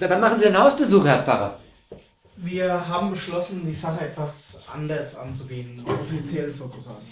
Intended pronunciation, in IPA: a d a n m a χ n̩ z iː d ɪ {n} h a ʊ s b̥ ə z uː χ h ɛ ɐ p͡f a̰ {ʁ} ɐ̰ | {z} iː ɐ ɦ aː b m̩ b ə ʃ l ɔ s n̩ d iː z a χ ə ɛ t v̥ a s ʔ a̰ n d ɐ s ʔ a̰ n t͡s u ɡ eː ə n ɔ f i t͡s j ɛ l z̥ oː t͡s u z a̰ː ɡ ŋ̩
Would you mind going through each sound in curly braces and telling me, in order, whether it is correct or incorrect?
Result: correct, correct, incorrect: v

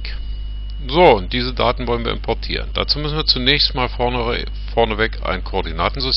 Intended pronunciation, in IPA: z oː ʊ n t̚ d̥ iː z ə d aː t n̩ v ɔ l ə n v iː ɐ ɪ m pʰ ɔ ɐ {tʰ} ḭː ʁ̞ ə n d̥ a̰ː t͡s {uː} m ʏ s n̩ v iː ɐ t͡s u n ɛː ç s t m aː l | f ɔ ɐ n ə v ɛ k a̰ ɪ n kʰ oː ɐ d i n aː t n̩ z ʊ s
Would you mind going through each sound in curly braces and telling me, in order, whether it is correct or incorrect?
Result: correct, correct

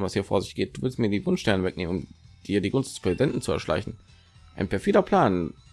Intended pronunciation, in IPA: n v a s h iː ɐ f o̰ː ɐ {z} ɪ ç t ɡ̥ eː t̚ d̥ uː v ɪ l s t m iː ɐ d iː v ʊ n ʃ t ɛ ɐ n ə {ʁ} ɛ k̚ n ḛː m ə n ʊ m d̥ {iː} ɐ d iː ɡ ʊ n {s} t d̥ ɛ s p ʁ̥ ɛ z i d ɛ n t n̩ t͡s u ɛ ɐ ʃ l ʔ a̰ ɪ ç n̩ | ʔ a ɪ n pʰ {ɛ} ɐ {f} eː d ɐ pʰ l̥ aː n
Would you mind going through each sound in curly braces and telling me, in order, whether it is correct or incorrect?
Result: correct, incorrect: v, correct, correct, correct, correct

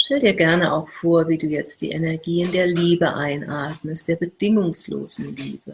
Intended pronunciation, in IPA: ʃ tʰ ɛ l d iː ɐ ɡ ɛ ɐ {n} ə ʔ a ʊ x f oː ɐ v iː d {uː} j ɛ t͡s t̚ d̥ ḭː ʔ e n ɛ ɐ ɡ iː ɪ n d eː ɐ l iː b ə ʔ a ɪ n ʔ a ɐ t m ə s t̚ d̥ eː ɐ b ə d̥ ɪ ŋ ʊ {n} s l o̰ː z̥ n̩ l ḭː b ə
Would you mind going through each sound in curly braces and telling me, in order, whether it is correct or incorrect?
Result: correct, correct, incorrect: ŋ

